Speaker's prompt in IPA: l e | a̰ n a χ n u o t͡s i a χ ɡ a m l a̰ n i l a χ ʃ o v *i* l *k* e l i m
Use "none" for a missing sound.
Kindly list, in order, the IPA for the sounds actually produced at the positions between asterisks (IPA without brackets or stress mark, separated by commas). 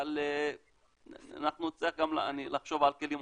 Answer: a, k